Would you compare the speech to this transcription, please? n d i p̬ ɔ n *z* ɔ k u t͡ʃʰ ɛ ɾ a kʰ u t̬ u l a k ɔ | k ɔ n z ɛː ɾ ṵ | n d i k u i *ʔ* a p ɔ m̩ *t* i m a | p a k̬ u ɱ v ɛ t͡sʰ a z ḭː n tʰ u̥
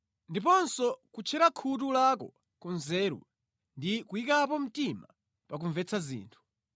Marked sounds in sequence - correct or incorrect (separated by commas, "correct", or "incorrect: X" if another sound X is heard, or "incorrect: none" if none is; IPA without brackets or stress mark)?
incorrect: s, incorrect: k, correct